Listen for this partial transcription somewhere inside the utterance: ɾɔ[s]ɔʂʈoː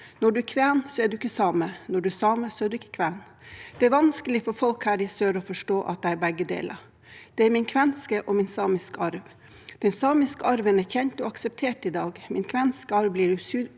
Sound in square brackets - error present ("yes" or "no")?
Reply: yes